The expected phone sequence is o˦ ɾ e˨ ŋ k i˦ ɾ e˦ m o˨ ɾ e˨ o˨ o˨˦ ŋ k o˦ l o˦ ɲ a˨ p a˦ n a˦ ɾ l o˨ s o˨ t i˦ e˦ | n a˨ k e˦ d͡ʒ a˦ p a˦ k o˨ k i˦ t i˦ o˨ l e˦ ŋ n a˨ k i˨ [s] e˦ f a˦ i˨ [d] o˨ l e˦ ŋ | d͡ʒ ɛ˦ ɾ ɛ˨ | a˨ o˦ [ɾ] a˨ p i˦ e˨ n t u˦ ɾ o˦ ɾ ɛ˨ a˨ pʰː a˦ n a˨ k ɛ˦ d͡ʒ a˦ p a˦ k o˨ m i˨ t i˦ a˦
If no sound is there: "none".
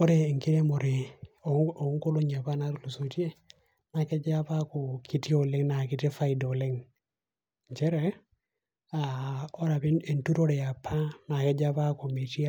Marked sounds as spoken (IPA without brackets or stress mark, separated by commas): t, d, ɾ